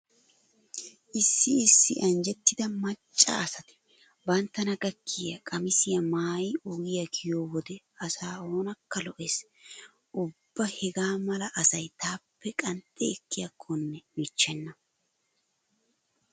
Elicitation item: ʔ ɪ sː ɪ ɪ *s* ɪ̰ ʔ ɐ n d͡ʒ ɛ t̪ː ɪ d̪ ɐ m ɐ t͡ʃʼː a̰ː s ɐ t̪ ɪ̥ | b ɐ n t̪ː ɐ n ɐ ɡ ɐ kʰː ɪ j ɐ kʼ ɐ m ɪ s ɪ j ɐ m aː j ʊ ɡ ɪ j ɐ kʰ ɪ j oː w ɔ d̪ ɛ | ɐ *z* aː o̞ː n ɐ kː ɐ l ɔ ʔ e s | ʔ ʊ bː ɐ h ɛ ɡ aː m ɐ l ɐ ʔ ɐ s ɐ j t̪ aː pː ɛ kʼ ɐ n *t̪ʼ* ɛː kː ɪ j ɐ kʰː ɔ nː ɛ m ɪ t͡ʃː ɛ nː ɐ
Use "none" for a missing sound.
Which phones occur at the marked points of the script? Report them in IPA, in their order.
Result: sː, s, t̪ʼ

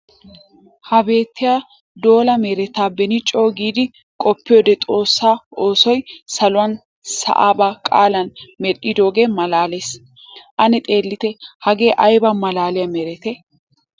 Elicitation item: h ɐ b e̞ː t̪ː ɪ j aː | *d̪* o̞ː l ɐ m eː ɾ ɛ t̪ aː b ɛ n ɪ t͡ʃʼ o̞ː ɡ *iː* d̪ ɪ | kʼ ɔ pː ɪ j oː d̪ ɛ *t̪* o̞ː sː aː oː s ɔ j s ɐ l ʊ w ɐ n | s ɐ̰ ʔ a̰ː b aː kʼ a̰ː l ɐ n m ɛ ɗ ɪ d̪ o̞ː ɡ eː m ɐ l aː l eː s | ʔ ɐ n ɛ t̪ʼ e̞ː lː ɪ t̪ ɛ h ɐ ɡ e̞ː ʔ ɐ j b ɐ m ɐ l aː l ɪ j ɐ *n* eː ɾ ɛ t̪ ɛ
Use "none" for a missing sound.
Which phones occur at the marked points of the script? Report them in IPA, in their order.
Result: d̪, iː, t̪ʼ, m

